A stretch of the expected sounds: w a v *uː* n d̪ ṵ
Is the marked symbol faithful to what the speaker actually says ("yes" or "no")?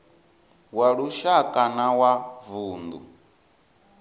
yes